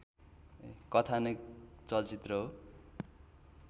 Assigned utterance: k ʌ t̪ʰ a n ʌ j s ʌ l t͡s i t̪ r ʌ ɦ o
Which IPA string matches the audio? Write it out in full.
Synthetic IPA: k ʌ t̪ʰ a n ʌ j t͡s ʌ l t͡s i t̪ r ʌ ɦ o